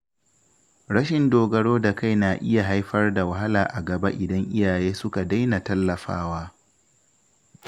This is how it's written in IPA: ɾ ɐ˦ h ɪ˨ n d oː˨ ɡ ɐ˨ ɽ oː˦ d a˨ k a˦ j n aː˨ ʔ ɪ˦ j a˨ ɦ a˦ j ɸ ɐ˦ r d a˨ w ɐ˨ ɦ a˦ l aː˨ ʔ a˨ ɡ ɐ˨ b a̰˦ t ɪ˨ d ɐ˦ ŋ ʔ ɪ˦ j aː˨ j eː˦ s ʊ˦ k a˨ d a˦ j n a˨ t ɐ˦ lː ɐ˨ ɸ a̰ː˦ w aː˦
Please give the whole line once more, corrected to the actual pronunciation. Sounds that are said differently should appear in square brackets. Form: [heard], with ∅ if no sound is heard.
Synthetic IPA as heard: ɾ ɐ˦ [ʃ] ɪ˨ n d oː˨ ɡ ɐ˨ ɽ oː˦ d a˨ k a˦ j n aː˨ ʔ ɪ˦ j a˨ ɦ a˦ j ɸ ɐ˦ r d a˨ w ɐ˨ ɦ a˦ l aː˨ ʔ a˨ ɡ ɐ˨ b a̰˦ [ʔ] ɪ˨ d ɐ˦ ŋ ʔ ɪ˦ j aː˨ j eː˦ s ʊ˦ k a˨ d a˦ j n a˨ t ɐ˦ lː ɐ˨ ɸ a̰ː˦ w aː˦